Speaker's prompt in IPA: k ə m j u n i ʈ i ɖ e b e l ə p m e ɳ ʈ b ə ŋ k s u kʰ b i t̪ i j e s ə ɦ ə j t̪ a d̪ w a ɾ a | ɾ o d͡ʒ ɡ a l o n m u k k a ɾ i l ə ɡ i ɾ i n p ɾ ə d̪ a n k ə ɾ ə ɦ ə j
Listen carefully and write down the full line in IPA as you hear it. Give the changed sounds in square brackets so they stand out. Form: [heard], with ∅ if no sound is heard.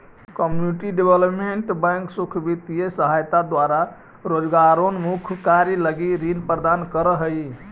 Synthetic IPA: k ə m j u n i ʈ i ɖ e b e l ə p m e ɳ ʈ b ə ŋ k s u kʰ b i t̪ i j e s ə ɦ [a] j t̪ a d̪ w a ɾ a | ɾ o d͡ʒ ɡ a [ɾ] o n m u [kʰ] k a ɾ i l ə ɡ i ɾ i n p ɾ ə d̪ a n k ə ɾ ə ɦ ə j